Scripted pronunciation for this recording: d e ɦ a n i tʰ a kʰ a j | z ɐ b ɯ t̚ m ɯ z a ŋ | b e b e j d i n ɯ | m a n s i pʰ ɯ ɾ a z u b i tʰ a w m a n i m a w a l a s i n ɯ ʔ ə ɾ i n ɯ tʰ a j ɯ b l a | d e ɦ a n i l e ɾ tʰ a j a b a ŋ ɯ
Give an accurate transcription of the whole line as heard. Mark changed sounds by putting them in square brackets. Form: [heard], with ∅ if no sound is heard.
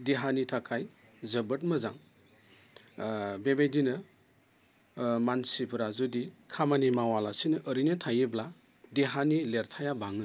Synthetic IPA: d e ɦ a n i tʰ a kʰ a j | z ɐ b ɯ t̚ m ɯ z a ŋ | b e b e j d i n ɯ | m a n s i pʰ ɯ ɾ a z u [d] i [kʰ] a [∅] m a n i m a w a l a s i n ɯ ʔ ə ɾ i n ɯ tʰ a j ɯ b l a | d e ɦ a n i l e ɾ tʰ a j a b a ŋ ɯ